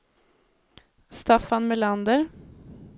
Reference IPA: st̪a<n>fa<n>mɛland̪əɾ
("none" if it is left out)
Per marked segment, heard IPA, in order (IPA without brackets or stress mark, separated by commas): none, n